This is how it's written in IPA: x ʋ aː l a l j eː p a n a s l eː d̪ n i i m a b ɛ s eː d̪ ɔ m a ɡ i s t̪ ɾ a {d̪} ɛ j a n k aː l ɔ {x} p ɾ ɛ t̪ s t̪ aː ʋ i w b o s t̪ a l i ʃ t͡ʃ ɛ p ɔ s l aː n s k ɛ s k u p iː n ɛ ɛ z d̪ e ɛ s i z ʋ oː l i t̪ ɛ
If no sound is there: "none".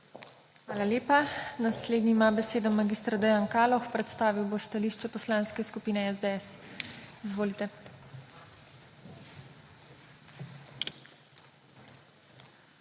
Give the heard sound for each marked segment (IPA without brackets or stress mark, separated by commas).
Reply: d̪, x